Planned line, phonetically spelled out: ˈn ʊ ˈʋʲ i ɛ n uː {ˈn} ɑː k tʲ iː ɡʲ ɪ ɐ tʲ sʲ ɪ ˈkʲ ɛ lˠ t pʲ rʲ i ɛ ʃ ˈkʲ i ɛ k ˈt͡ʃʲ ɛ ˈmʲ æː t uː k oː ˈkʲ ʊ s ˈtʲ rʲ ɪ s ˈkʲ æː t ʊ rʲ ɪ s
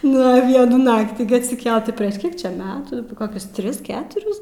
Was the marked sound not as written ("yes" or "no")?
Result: no